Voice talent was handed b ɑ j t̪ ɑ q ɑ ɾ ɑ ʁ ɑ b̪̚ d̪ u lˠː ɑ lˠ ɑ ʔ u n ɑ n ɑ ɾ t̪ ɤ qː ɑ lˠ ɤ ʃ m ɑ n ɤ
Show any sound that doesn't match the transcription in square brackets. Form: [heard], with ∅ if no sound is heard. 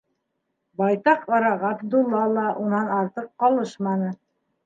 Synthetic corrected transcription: b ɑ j t̪ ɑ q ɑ ɾ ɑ ʁ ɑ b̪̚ d̪ u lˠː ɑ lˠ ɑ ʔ u n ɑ n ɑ ɾ t̪ ɤ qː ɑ lˠ ɤ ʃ m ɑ n ɤ